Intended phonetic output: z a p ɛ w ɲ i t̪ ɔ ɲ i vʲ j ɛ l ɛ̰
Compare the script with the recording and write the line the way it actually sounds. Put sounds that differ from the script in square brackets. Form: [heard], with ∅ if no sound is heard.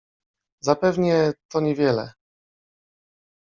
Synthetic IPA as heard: z a p ɛ [v] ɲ [ɛ] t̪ ɔ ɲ [ɛ] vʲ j ɛ l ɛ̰